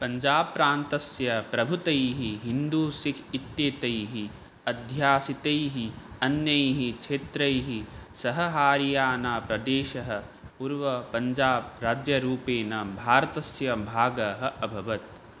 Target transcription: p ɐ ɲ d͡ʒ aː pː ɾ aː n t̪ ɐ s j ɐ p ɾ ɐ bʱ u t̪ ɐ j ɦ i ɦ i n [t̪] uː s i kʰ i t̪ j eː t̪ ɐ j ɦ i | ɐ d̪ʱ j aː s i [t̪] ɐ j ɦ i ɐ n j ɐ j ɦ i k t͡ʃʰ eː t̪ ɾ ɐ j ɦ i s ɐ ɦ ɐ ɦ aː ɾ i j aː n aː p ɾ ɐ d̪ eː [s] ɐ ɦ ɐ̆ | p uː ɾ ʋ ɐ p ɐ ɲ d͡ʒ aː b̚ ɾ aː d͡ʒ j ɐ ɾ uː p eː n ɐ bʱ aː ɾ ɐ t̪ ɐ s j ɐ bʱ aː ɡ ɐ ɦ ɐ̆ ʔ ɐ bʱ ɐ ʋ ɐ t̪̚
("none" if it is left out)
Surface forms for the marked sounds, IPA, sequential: d̪, t̪, ʃ

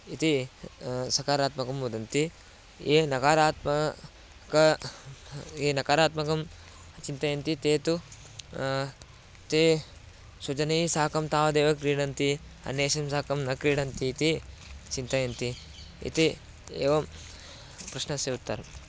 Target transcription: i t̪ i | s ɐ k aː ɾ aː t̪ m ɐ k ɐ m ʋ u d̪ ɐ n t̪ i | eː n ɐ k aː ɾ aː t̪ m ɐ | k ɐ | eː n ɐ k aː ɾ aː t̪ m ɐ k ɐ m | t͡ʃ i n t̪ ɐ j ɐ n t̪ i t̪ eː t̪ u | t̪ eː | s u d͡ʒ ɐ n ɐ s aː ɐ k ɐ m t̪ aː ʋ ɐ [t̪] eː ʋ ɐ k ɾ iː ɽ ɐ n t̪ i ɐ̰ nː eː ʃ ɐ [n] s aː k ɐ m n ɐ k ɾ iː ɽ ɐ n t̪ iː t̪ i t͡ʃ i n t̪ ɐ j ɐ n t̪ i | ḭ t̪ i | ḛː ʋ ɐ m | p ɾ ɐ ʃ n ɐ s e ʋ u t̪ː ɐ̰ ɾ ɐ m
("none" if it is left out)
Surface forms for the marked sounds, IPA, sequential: d̪, m

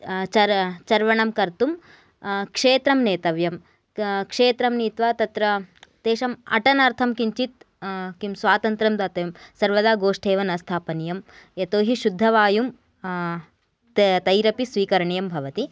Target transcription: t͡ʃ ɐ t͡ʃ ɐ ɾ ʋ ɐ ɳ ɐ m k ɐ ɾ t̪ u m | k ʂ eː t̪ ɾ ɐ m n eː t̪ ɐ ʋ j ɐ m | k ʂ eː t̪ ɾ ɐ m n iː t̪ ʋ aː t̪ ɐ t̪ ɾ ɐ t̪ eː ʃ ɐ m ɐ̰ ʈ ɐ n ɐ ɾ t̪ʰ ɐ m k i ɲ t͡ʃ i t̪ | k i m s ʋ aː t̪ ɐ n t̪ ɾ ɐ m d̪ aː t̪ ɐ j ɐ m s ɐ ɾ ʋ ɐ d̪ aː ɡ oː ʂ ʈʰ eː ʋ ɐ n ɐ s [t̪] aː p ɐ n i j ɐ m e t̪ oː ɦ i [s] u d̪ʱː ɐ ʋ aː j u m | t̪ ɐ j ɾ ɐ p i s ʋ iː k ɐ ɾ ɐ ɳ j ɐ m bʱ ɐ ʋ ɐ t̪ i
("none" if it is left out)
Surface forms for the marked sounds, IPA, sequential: t̪ʰ, ʃ

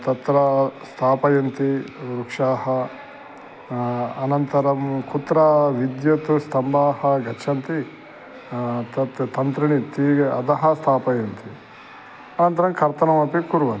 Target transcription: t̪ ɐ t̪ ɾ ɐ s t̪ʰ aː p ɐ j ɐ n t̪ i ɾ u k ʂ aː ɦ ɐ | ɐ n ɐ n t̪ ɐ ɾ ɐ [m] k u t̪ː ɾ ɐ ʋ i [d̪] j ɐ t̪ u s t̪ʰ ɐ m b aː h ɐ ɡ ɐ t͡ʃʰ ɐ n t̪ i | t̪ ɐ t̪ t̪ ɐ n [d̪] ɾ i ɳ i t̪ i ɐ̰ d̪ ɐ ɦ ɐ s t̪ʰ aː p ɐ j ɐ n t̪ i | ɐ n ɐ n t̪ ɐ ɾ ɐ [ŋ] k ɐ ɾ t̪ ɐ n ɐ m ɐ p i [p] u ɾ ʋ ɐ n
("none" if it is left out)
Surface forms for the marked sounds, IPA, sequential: m, d̪, t̪, m, k

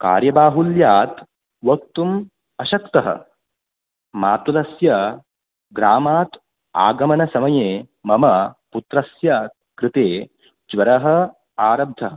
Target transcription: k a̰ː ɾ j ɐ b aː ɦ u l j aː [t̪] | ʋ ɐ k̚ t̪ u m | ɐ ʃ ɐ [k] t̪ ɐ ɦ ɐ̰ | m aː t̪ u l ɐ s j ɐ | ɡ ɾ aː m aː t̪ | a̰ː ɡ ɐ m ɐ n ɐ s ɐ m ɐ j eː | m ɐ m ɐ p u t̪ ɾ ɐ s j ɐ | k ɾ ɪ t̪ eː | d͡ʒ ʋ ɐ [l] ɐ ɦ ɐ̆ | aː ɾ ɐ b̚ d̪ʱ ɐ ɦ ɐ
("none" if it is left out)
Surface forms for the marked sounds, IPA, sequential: t̪, k, ɾ

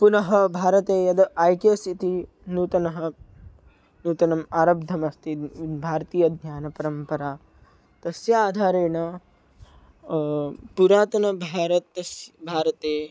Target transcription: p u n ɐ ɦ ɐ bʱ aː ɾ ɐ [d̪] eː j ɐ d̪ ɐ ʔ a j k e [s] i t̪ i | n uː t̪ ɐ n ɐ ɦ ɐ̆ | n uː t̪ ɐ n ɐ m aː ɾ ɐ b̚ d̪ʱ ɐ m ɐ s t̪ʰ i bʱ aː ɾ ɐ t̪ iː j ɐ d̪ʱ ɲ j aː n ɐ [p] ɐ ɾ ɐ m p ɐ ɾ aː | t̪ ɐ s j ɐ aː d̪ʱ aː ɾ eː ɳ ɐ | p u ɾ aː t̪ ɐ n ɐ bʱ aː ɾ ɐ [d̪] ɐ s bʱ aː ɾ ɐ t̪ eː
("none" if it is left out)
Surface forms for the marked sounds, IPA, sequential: t̪, s, p, t̪

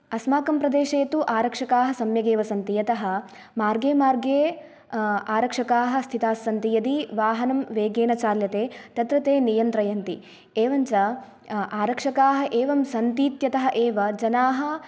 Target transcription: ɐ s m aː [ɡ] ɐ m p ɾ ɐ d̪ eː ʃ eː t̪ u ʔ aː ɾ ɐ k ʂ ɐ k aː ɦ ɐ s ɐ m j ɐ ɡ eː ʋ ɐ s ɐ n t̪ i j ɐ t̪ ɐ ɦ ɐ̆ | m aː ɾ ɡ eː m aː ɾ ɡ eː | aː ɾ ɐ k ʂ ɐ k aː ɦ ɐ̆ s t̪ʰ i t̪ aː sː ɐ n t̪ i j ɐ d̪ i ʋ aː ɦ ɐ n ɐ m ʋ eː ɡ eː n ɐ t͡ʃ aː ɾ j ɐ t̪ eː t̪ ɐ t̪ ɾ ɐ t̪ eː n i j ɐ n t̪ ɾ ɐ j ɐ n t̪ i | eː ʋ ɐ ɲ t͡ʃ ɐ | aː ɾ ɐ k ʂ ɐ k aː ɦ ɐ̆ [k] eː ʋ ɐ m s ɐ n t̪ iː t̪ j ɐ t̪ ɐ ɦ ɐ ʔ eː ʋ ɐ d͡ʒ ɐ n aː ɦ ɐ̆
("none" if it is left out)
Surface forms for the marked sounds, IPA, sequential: k, ʔ

